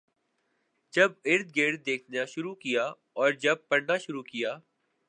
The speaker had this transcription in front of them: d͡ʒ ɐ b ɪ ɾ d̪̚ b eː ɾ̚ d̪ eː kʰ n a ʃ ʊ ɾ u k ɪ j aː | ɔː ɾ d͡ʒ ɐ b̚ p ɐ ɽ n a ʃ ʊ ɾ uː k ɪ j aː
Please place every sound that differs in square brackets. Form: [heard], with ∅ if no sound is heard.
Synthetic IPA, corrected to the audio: d͡ʒ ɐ b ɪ ɾ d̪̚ [ɡ] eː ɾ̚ d̪ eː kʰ n a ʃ ʊ ɾ u k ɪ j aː | ɔː ɾ d͡ʒ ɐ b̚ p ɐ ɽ n a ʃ ʊ ɾ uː k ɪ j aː